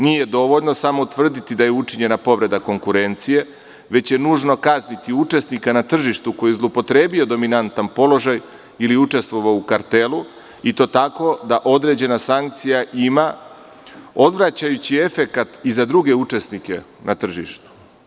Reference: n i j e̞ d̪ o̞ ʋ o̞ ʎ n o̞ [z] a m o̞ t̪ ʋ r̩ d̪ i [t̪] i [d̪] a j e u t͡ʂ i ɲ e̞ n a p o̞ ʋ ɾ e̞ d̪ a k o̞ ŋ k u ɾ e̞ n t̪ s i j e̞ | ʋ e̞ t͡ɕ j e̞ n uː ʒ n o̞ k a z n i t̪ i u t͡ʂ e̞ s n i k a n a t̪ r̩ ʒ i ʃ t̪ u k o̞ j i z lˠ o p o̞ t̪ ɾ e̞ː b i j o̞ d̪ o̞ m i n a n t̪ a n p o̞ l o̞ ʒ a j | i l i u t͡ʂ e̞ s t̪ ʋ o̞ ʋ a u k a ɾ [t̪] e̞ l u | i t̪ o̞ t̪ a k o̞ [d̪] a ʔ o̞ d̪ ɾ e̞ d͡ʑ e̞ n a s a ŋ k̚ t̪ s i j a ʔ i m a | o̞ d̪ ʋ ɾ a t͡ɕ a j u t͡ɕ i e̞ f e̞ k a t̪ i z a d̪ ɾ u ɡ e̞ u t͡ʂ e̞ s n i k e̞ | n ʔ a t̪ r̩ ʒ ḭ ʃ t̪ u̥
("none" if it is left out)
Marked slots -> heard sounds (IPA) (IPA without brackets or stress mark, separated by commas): s, t̪, d̪, t̪, d̪